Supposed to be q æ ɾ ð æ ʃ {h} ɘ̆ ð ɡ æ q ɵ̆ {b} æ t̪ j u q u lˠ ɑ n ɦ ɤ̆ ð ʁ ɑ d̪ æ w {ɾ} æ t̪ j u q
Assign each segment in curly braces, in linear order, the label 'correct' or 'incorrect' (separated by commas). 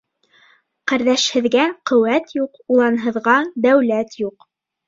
correct, incorrect, incorrect